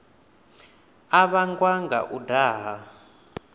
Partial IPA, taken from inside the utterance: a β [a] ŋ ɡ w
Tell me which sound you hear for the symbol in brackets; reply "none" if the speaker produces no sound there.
a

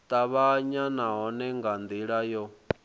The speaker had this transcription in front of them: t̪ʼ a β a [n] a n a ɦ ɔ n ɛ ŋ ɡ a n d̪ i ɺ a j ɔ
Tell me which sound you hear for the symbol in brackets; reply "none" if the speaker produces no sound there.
ɲ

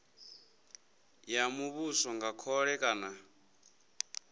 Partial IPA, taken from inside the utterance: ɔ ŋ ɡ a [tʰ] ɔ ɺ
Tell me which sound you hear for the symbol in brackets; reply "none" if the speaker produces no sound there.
kʰ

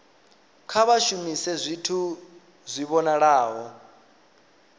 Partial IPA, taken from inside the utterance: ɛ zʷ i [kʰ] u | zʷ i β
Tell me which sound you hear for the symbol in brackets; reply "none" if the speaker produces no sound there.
tʰ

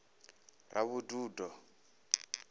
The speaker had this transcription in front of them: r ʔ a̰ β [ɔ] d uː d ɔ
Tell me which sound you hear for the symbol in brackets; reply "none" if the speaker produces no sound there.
u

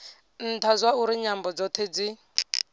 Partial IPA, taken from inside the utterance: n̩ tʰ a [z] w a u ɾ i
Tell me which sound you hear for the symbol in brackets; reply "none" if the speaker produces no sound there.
z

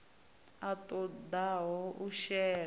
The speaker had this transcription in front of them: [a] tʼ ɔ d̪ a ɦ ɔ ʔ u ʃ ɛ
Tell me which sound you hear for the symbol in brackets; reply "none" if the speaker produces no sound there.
a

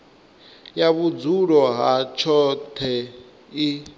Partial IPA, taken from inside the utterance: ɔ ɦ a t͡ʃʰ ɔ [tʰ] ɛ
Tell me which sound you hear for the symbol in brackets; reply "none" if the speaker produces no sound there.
tʰ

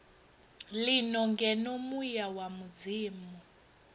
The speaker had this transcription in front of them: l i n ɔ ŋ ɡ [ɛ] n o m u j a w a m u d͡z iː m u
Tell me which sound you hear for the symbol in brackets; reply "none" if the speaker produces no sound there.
ɛ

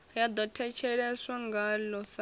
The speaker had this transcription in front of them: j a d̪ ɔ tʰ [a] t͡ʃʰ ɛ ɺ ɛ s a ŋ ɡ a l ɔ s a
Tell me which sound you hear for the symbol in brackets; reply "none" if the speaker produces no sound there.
ɛ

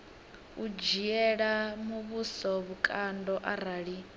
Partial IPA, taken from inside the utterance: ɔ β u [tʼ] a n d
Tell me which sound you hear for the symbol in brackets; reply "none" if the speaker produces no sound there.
kʼ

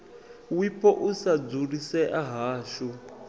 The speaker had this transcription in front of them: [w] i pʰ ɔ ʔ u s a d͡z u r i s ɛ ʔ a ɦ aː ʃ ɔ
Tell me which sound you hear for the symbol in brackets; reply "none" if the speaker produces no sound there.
w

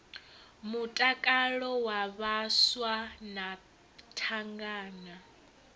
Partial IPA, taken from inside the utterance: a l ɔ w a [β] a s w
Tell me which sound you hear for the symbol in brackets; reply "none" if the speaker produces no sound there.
β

